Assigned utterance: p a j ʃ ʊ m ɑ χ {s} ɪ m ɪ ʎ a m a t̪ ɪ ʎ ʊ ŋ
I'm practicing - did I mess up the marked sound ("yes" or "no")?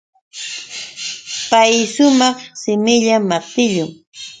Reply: no